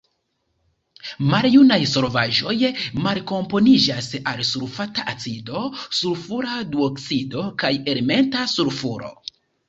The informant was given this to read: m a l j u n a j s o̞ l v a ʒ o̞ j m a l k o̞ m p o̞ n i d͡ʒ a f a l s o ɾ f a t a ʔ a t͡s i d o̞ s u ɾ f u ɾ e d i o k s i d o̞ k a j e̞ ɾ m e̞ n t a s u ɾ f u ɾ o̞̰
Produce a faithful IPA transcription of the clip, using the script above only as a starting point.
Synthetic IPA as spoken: m a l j u n a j s o̞ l v a ʒ o̞ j m a l k o̞ m p o̞ n i d͡ʒ a s a l s u ɾ f a t a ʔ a t͡s i d o̞ s u ɾ f u ɾ a d i o k s i d o̞ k a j e̞ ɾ m e̞ n t a s u ɾ f u ɾ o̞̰